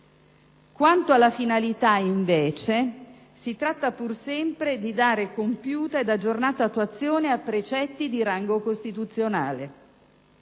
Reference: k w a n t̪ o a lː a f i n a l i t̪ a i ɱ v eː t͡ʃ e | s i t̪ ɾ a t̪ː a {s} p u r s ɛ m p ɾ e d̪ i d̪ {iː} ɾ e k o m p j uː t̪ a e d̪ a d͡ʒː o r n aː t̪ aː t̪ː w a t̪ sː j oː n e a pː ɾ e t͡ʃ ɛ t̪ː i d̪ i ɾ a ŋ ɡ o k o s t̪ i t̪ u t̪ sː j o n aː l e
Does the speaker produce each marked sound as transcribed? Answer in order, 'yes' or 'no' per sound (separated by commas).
no, no